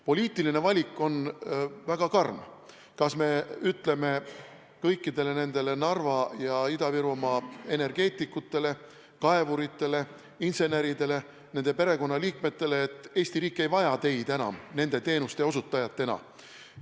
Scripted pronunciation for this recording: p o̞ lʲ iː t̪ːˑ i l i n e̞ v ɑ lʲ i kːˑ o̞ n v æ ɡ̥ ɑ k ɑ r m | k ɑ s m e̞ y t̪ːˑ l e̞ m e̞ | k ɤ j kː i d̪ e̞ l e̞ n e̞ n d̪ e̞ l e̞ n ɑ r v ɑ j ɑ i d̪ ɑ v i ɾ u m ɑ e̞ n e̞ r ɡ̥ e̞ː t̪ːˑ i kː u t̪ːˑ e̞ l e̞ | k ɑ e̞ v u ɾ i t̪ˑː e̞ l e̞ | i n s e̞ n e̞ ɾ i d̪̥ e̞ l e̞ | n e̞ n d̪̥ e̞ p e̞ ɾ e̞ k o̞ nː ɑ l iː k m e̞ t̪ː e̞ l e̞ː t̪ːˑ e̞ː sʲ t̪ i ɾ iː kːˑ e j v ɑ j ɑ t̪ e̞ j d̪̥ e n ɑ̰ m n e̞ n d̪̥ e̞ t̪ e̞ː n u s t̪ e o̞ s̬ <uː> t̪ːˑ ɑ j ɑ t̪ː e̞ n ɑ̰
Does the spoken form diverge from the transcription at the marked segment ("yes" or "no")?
yes